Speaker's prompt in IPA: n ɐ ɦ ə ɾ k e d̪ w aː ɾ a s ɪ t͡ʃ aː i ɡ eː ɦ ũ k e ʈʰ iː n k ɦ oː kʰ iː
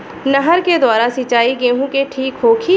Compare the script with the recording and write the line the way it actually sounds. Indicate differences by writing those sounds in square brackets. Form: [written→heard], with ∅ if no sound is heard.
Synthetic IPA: n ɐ ɦ ə ɾ k e d̪ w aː ɾ a s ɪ t͡ʃ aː i ɡ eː ɦ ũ k e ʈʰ iː [n→∅] k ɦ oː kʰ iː